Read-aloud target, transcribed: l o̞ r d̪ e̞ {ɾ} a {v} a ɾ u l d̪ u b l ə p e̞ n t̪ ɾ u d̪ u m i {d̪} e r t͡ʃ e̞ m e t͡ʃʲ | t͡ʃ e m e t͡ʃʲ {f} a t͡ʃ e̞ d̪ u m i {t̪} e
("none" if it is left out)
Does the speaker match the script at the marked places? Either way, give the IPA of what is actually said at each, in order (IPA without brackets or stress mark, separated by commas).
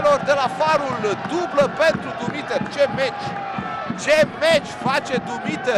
l, f, t̪, f, t̪